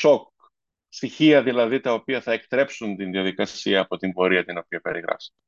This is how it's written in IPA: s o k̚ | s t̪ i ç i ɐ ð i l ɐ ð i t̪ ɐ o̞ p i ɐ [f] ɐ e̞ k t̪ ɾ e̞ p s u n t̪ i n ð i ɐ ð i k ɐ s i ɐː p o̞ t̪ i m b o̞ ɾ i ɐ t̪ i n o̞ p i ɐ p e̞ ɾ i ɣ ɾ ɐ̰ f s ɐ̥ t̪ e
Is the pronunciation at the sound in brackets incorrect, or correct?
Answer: incorrect